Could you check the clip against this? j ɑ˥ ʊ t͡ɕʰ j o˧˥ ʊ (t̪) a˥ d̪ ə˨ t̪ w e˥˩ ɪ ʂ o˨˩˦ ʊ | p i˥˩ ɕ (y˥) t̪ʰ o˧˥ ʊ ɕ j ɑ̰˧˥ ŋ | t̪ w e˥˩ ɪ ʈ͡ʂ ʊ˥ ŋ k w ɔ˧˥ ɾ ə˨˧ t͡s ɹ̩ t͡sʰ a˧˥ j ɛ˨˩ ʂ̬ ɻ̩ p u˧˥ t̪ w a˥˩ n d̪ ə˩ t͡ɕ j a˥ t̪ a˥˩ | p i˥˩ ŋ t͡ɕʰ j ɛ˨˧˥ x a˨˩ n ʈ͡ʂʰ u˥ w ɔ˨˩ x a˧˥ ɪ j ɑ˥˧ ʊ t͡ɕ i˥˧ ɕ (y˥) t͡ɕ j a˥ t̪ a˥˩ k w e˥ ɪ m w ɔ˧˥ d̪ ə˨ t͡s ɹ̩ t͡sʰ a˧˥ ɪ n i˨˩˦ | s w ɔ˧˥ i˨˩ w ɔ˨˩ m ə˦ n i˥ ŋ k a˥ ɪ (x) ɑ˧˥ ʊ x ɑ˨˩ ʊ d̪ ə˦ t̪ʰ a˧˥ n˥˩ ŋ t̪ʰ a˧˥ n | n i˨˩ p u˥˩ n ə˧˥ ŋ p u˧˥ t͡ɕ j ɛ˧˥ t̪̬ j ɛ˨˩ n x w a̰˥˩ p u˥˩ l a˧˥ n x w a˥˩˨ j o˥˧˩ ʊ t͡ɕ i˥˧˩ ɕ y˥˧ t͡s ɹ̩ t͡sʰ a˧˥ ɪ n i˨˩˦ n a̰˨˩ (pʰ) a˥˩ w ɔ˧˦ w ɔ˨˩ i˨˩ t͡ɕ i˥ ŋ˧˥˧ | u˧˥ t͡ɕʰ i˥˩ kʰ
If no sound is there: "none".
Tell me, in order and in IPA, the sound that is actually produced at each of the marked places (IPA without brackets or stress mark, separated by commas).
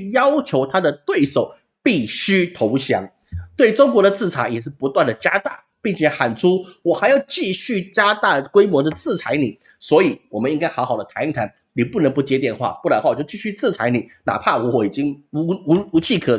t̪ʰ, y˥, y˥˩, x, pʰ